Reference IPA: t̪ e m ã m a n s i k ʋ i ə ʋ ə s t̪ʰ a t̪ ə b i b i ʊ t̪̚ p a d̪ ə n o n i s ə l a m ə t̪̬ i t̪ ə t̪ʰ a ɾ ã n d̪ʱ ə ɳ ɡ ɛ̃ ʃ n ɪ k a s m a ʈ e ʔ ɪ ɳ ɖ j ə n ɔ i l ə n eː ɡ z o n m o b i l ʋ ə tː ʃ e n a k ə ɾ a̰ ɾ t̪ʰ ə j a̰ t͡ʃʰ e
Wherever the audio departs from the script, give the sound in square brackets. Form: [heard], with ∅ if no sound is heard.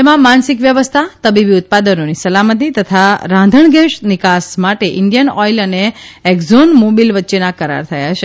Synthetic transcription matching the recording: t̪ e m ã m a n s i k ʋ [j] ə ʋ ə s t̪ʰ a t̪ ə b i b i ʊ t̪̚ p a d̪ ə n o n i s ə l a m ə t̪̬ i t̪ ə t̪ʰ a ɾ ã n d̪ʱ ə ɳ ɡ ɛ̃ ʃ n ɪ k a s m a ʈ e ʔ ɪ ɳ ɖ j ə n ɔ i l ə n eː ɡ z o n m o b i l ʋ ə tː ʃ e n a k ə ɾ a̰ ɾ t̪ʰ ə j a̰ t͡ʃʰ e